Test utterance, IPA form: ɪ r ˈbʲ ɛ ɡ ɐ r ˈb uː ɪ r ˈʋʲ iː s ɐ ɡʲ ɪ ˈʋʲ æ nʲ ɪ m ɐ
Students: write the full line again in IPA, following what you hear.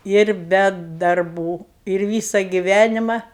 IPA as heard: ɪ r ˈbʲ ɛ d ɐ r ˈb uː ɪ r ˈʋʲ iː s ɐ ɡʲ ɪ ˈʋʲ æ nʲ ɪ m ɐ